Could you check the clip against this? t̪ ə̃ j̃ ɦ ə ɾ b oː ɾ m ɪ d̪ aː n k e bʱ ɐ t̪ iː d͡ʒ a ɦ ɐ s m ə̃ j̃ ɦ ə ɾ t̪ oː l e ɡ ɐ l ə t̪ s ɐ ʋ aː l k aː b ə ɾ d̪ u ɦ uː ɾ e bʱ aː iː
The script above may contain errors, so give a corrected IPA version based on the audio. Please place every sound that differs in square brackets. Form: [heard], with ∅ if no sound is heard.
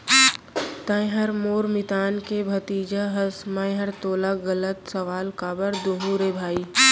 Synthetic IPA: t̪ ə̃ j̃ ɦ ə ɾ [m] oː ɾ m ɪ [t̪] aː n k e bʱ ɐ t̪ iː d͡ʒ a ɦ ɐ s m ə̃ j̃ ɦ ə ɾ t̪ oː l [a] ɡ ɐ l ə t̪ s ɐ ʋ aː l k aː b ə ɾ d̪ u ɦ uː ɾ e bʱ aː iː